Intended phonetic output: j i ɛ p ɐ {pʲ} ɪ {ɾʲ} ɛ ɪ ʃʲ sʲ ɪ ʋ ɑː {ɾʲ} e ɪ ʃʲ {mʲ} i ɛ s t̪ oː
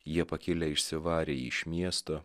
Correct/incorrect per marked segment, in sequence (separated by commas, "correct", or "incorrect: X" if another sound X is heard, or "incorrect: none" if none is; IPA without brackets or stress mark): incorrect: kʲ, incorrect: lʲ, correct, correct